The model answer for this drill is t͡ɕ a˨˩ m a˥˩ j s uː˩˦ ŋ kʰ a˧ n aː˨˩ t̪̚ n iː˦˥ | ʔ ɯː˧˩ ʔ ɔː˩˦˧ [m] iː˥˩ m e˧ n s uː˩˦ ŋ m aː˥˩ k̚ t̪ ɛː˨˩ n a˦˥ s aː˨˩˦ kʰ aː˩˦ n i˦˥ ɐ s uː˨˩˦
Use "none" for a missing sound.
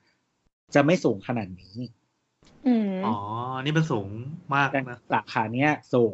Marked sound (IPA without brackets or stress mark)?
n